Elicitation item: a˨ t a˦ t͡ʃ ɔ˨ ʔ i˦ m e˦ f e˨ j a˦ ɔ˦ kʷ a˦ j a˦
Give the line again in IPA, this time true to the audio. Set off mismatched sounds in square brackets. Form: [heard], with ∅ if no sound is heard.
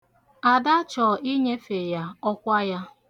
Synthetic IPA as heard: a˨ [d] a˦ t͡ʃ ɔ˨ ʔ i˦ [ɲ] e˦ f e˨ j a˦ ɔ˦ kʷ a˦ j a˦

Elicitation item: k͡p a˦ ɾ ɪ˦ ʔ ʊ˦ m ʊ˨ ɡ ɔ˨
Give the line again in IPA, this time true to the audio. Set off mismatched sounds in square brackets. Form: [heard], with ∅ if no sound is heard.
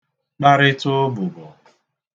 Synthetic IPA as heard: k͡p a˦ ɾ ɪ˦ [t] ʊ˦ [b] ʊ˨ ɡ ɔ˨

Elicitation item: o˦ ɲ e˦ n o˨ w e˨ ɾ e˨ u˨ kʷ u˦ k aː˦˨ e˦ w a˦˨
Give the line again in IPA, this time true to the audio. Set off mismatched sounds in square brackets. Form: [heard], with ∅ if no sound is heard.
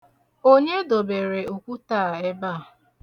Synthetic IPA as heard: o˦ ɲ e˦ [d] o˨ [b] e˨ ɾ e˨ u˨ kʷ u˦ [t] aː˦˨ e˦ [b] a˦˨

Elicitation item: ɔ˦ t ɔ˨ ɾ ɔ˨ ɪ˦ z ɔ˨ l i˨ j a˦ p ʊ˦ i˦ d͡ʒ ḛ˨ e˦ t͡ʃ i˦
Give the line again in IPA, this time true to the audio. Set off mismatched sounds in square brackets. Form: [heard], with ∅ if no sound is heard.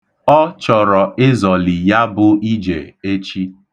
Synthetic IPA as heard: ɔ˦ [t͡ʃ] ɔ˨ ɾ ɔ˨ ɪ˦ z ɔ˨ l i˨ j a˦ [b] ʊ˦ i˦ d͡ʒ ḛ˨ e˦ t͡ʃ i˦

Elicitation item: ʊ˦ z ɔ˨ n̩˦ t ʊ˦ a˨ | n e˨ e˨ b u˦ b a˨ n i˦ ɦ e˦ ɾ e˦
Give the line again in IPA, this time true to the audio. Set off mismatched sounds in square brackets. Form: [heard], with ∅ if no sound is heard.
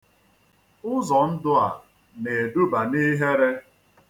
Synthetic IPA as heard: ʊ˦ z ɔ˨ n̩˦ [d] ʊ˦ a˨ | n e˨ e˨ [d] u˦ b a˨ n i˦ ɦ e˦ ɾ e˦

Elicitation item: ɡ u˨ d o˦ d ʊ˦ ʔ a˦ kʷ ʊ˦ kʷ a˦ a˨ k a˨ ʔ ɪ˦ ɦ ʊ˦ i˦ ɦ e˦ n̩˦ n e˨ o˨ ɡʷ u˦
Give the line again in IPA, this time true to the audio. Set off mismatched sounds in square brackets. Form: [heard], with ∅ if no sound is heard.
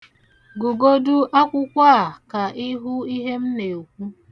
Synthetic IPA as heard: ɡ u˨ [ɡ] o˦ d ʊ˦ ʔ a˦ kʷ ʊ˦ kʷ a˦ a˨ k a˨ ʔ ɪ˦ ɦ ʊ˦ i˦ ɦ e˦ [m̩˦] n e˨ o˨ [kʷ] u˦

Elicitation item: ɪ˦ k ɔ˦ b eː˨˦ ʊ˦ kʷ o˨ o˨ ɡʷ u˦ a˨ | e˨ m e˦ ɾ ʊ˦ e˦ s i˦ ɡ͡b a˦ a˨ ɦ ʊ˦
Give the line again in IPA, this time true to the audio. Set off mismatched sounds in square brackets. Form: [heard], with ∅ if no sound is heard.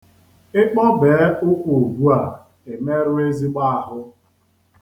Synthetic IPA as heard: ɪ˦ [k͡p] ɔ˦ b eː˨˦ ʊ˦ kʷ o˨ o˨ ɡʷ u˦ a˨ | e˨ m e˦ ɾ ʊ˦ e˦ [z] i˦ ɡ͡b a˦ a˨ ɦ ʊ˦

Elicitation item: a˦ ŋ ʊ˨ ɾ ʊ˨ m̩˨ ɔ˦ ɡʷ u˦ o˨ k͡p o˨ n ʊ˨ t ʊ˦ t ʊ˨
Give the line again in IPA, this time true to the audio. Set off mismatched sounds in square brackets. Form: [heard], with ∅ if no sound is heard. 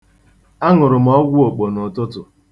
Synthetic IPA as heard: a˦ ŋ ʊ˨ ɾ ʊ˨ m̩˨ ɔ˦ ɡʷ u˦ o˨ k͡p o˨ n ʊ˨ t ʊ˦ t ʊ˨

